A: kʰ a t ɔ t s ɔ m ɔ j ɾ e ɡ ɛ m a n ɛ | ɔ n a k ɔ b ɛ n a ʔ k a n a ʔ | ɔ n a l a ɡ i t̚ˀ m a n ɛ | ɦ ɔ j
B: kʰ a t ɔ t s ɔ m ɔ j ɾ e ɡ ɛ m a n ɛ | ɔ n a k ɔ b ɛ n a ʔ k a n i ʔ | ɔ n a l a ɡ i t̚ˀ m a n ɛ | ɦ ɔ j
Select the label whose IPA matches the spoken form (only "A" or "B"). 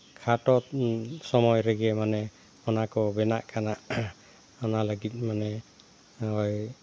A